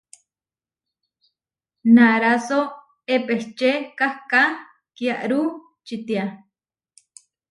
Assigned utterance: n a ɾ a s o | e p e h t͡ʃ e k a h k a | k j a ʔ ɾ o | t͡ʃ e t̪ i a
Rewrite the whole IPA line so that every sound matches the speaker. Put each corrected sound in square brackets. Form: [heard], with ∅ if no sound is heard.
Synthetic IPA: n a ɾ a s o | e p e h t͡ʃ e k a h k a | k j a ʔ ɾ [u] | t͡ʃ [i] t̪ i a